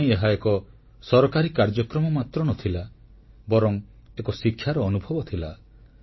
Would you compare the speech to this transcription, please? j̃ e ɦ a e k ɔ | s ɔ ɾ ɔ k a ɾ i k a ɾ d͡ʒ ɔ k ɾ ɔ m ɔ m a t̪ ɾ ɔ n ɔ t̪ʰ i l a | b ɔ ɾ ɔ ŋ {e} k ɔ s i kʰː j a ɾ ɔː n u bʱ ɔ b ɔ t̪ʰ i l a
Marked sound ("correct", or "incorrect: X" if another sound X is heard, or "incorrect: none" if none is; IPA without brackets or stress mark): correct